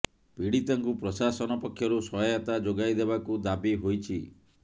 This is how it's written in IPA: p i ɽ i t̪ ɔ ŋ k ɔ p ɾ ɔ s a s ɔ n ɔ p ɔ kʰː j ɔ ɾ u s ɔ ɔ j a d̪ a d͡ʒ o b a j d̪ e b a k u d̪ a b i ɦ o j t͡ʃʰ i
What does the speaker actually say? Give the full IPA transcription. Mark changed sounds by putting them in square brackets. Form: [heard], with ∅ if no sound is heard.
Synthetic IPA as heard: p i ɽ i t̪ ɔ ŋ k [u] p ɾ ɔ s a s ɔ n ɔ p ɔ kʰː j ɔ ɾ u s ɔ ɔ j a [t̪] a d͡ʒ o [ɡ] a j d̪ e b a k u d̪ a b i ɦ o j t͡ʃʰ i